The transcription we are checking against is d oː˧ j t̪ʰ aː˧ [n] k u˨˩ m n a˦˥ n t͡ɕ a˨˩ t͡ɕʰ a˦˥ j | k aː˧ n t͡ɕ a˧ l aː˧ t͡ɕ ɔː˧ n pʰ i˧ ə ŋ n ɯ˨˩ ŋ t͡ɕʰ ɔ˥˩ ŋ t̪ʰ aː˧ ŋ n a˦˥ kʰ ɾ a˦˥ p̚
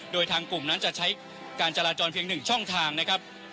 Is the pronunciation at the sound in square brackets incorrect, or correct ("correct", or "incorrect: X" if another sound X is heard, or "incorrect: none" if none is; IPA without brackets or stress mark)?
incorrect: ŋ